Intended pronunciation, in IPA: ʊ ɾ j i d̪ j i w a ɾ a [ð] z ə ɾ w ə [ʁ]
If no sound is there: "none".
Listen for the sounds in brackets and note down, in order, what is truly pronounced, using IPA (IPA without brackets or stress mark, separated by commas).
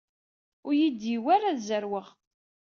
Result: ð, ʁ